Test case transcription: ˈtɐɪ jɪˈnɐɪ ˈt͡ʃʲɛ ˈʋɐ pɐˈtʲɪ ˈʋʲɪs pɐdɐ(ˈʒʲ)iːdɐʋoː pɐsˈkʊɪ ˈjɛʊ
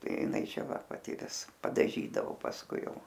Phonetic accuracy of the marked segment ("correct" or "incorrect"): correct